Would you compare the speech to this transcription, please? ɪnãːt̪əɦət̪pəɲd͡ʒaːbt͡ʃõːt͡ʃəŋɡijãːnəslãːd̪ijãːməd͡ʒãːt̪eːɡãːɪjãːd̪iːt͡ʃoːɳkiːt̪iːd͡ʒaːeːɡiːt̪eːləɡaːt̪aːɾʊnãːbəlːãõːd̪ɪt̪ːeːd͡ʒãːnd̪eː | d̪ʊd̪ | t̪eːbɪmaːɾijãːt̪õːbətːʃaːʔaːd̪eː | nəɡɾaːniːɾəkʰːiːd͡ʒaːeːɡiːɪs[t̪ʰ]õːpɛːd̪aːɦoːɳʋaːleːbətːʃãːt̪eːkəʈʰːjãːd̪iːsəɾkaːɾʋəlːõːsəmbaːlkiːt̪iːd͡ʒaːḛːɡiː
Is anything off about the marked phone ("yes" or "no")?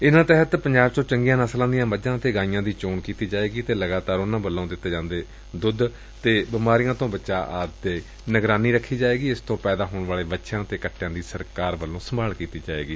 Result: yes